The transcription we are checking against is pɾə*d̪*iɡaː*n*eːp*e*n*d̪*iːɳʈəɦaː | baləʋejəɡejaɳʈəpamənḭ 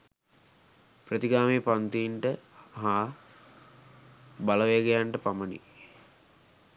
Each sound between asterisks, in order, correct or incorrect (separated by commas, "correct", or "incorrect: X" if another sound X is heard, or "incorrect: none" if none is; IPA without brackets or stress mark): incorrect: t̪, incorrect: m, incorrect: a, incorrect: t̪